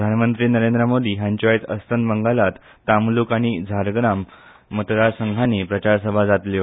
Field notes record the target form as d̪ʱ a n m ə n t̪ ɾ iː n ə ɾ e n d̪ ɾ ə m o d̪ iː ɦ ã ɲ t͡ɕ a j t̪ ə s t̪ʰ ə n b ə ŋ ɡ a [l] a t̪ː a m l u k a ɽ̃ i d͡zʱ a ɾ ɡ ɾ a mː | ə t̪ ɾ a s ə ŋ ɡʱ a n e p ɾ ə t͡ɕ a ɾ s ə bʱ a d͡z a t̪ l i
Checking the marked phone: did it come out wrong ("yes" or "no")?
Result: no